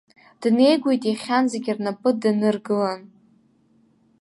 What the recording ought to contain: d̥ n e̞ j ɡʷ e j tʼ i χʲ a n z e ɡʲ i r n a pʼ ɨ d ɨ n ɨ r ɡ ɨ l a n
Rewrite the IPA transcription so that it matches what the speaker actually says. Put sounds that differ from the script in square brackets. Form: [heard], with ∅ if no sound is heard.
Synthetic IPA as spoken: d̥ n e̞ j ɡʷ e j tʼ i χʲ a n z e ɡʲ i r n a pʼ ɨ d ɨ n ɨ r ɡ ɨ l a n